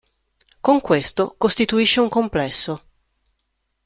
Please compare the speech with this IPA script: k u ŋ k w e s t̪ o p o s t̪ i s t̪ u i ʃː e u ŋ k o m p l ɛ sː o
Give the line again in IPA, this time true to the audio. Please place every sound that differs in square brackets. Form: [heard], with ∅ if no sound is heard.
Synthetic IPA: k [o] ŋ k w e s t̪ o [k] o s t̪ i [∅] t̪ u i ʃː e u ŋ k o m p l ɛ sː o